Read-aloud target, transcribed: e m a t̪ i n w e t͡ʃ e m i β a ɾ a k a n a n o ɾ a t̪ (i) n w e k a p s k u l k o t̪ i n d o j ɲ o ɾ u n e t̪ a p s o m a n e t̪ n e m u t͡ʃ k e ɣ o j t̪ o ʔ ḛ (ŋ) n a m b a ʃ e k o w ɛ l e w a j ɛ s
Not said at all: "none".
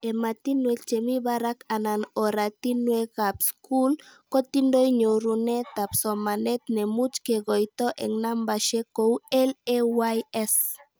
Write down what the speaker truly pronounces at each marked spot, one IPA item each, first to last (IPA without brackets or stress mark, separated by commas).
i, ŋ